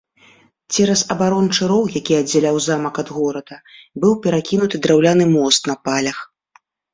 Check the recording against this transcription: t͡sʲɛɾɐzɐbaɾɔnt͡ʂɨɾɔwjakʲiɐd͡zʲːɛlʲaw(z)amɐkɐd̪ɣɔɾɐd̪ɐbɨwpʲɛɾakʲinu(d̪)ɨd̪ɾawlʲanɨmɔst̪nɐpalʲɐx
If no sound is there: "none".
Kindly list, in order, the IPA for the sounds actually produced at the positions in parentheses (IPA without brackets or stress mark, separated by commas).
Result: z, t̪